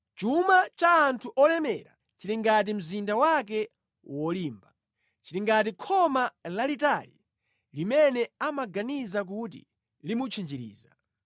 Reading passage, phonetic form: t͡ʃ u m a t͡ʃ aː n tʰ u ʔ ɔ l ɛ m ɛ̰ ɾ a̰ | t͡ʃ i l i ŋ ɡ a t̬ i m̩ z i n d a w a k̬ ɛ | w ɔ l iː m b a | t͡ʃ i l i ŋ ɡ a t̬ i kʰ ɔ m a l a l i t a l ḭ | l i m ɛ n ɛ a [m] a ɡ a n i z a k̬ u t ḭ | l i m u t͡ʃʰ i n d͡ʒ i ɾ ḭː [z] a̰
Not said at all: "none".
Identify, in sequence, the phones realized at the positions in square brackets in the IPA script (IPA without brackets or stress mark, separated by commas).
m, z